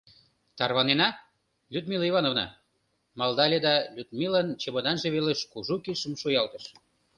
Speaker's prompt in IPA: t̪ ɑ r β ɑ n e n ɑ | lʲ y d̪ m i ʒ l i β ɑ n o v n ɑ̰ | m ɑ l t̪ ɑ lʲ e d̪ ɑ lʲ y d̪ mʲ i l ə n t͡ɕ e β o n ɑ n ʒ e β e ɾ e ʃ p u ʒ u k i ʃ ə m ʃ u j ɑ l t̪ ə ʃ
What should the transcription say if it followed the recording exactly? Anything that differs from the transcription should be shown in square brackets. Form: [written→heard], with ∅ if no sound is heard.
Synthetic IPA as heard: t̪ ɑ r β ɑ n e n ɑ | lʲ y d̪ m i [ʒ→∅] l i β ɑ n o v n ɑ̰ | m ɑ l [t̪→d̪] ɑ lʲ e d̪ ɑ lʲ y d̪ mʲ i l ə n t͡ɕ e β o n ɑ n ʒ e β e [ɾ→l] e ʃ [p→k] u ʒ u k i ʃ ə m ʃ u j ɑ l t̪ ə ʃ

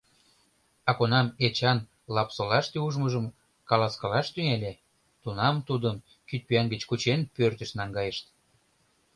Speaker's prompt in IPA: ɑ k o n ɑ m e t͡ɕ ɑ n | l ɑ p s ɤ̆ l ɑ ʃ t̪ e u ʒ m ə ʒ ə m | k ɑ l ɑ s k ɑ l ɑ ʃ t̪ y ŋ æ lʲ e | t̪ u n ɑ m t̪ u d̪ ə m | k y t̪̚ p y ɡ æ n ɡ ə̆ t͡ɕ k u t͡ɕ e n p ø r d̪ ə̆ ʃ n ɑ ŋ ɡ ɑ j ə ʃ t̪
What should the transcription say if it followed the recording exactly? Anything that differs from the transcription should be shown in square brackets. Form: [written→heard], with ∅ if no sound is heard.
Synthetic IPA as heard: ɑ k o n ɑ m e t͡ɕ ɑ n | l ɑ p s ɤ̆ l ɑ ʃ t̪ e u ʒ m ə ʒ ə m | k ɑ l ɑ s k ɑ l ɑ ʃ t̪ y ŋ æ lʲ e | t̪ u n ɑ m t̪ u d̪ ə m | k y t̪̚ p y [ɡ→∅] æ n ɡ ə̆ t͡ɕ k u t͡ɕ e n p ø r [d̪→t̪] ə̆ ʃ n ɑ ŋ ɡ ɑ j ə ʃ t̪

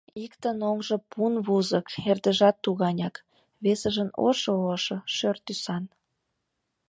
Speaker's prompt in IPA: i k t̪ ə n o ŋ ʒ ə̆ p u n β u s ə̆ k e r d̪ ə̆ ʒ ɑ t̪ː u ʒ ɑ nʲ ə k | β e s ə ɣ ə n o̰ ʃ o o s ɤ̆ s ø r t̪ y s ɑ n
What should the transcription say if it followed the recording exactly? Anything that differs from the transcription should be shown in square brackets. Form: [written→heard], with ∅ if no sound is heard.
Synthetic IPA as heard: i k t̪ ə n o ŋ ʒ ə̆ p u n β u [s→z] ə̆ k e r d̪ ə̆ ʒ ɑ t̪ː u [ʒ→ɣ] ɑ nʲ [ə→ɑ] k | β e s ə [ɣ→ʒ] ə n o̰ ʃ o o [s→ʃ] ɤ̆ [s→ʃ] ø r t̪ y s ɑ n

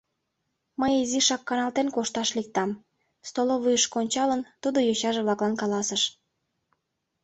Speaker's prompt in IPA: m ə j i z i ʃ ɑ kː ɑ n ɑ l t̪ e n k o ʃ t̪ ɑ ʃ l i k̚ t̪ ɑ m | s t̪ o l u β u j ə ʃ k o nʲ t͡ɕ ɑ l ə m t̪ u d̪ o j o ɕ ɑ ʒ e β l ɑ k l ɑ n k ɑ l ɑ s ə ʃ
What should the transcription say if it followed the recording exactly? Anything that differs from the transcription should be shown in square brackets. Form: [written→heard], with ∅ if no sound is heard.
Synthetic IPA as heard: m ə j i z i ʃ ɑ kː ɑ n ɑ l t̪ e n k o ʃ t̪ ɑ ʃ l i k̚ t̪ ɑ m | s t̪ o l [u→o] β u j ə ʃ k o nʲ t͡ɕ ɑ l ə [m→n] t̪ u d̪ o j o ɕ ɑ ʒ e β l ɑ k l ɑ n k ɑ l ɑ s ə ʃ

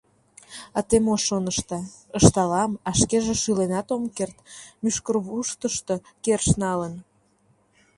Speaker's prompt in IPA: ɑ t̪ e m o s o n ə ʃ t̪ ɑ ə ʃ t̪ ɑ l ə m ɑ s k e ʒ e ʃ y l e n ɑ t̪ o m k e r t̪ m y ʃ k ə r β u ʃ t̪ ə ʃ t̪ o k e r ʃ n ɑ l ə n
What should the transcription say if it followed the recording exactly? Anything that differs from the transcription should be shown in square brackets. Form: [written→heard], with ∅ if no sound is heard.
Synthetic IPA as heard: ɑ t̪ e m o [s→ʃ] o n ə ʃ t̪ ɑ ə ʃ t̪ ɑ l [ə→ɑ] m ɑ [s→ʃ] k e ʒ e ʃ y l e n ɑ t̪ o m k e r t̪ m y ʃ k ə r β u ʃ t̪ ə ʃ t̪ o k e r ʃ n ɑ l ə n

